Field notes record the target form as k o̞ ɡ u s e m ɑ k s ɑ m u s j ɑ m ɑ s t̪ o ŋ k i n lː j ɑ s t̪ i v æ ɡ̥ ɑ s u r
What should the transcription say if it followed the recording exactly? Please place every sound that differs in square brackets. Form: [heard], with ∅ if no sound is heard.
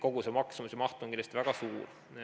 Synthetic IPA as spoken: k o̞ ɡ u s e m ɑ k s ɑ m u s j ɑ m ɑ [h] t̪ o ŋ k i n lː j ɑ s t̪ i v æ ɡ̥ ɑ s [uː] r